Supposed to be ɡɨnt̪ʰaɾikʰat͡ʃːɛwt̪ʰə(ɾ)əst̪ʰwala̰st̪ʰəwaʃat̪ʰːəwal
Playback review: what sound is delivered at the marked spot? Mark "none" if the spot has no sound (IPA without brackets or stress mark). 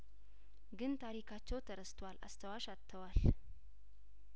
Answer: ɾ